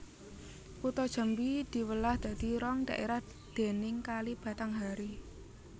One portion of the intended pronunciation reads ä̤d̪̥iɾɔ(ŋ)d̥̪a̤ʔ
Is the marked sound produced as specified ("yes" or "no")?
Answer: yes